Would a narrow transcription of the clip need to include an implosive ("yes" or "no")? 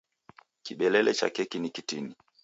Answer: yes